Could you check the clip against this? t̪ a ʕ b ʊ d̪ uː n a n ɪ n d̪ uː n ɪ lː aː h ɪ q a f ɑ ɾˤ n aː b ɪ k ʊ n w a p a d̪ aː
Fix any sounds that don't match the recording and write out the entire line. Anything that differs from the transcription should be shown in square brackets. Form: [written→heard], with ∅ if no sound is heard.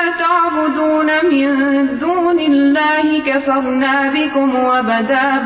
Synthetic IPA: t̪ a ʕ b ʊ d̪ uː n a [n→m] ɪ n d̪ uː n ɪ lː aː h ɪ [q→k] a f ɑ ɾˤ n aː b ɪ k ʊ [n→m] w a [p→b] a d̪ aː